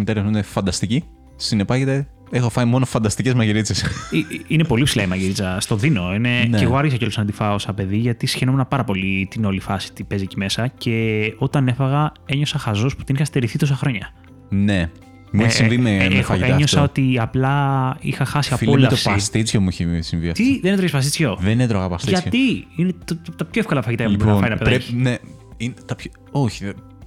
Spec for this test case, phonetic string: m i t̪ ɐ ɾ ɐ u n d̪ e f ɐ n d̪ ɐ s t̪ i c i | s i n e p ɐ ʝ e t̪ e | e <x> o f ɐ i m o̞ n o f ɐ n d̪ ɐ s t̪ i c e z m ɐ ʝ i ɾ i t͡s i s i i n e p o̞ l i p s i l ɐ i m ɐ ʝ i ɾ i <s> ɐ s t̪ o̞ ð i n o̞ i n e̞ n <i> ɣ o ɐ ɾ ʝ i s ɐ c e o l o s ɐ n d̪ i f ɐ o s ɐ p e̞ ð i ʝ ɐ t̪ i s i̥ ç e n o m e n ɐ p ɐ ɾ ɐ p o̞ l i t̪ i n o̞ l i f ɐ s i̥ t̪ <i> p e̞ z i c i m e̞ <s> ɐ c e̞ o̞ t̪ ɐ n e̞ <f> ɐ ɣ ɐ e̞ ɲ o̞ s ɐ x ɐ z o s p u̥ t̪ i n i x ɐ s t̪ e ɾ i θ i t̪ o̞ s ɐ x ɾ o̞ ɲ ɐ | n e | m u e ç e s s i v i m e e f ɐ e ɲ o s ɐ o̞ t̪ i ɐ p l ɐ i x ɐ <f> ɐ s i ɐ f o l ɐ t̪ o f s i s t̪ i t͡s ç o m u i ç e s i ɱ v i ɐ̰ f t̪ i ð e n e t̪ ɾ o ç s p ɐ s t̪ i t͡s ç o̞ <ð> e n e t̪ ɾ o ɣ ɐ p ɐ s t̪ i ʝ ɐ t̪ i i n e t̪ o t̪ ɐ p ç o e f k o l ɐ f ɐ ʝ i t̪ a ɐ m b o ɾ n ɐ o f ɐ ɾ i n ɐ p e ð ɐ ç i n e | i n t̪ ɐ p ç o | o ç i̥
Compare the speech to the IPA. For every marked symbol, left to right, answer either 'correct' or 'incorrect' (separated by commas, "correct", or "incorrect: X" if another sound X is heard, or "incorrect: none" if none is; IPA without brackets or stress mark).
correct, incorrect: t͡s, incorrect: e, correct, correct, correct, incorrect: x, correct